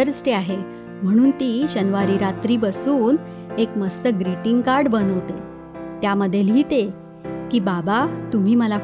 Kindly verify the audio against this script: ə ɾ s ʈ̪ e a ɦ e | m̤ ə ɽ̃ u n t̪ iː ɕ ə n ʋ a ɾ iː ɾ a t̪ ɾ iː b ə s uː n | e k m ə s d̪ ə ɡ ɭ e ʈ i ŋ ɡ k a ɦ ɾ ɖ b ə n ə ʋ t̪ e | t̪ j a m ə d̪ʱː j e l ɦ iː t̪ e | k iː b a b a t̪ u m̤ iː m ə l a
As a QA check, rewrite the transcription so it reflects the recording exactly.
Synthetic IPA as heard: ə ɾ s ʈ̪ e a ɦ e | m̤ ə ɽ̃ uː n t̪ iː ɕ ə n ʋ a ɾ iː ɾ a t̪ ɾ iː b ə s uː n | e k m ə s t̪ ə ɡ ɾ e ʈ i ŋ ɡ k a ɾ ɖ b ə n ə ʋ t̪ e | t̪ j a m ə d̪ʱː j e l ɦ iː t̪ e | k iː b a b a t̪ u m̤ iː m ə l a